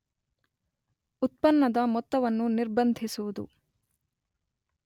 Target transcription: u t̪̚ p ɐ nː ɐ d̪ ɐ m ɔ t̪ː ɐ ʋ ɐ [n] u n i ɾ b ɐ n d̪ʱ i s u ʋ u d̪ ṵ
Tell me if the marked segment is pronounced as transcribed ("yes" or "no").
no